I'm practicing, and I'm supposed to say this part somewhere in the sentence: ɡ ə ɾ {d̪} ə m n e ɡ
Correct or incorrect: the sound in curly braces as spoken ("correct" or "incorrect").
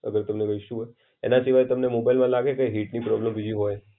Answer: incorrect